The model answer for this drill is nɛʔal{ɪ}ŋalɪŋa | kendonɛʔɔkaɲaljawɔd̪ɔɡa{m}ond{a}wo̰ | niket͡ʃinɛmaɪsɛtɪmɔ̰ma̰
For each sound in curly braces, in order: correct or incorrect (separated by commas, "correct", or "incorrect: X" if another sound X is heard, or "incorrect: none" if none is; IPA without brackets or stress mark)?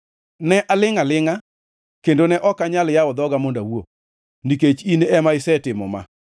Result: correct, correct, correct